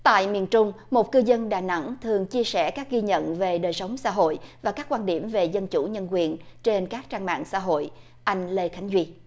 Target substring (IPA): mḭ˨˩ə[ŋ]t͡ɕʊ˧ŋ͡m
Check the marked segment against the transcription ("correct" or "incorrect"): incorrect